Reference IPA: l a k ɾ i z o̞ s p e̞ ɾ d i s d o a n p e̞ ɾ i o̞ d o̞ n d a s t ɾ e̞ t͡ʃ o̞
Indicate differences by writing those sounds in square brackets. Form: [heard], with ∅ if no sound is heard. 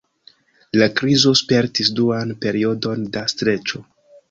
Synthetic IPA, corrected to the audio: l a k ɾ i z o̞ s p e̞ ɾ [t] i s d [u] a n p e̞ ɾ i o̞ d o̞ n d a s t ɾ e̞ t͡ʃ o̞